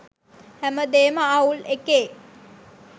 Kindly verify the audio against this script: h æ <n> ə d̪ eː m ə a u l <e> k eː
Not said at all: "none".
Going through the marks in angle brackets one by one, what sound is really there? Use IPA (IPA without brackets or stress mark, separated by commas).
m, e